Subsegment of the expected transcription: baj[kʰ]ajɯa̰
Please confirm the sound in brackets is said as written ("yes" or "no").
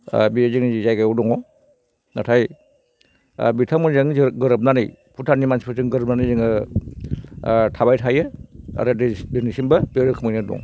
no